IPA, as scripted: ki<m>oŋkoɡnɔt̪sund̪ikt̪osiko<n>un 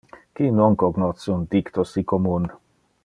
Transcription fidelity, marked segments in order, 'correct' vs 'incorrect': incorrect: n, incorrect: m

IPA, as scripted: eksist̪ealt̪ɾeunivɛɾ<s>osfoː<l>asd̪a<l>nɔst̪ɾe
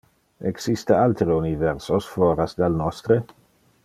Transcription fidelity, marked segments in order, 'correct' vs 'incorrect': correct, incorrect: ɾ, correct

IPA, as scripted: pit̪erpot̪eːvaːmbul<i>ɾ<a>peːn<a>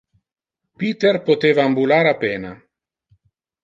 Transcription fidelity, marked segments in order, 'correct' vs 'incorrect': incorrect: a, correct, correct

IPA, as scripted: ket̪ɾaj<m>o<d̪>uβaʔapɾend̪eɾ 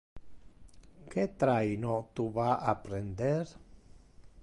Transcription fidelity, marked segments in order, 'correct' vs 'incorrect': incorrect: n, incorrect: t̪

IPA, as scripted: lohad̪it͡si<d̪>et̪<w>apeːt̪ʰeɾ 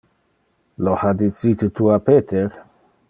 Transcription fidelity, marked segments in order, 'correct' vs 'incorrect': incorrect: t̪, incorrect: u

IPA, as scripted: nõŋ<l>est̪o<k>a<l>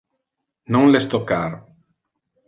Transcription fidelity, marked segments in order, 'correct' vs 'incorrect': correct, correct, incorrect: ɾ

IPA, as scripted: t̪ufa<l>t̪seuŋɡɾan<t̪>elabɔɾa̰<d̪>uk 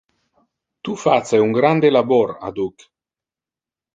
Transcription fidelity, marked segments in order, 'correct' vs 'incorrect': incorrect: none, incorrect: d̪, correct

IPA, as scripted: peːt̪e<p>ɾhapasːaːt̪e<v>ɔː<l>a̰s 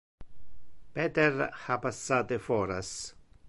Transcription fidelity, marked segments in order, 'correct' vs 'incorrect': incorrect: none, incorrect: f, incorrect: ɾ

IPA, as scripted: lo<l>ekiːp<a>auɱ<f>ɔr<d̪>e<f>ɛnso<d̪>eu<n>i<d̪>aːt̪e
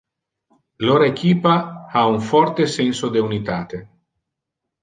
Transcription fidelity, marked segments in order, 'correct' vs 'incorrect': incorrect: ɾ, correct, correct, incorrect: t̪, incorrect: s, correct, correct, incorrect: t̪

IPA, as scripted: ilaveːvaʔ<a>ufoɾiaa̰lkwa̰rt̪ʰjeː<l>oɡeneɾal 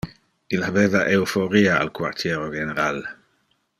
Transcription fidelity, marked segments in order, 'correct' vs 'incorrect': incorrect: e, incorrect: ɾ

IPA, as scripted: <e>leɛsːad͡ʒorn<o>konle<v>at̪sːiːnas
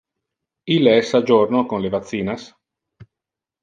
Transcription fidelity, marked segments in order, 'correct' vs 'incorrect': incorrect: i, correct, correct

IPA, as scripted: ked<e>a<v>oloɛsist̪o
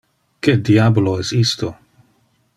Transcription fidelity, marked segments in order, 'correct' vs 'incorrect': incorrect: i, incorrect: b

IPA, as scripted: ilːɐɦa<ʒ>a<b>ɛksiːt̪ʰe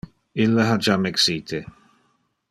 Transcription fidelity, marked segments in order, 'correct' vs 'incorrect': incorrect: d͡ʒ, incorrect: m

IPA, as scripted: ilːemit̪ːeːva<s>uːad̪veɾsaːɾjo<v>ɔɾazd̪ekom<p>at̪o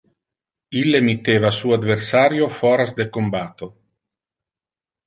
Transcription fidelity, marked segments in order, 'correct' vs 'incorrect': correct, incorrect: f, incorrect: b

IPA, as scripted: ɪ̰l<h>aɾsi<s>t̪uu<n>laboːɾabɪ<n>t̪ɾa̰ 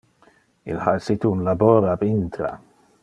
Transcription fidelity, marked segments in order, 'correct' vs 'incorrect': correct, incorrect: none, correct, correct

